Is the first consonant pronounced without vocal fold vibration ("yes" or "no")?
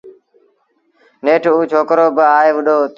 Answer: no